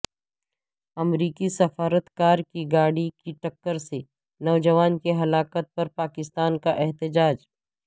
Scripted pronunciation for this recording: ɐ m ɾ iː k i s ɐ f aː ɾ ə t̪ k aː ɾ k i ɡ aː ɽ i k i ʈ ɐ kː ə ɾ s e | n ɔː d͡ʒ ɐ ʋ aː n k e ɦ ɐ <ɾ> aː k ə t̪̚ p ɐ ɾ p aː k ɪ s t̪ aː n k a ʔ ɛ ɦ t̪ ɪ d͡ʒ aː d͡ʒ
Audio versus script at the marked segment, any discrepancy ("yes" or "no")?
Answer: yes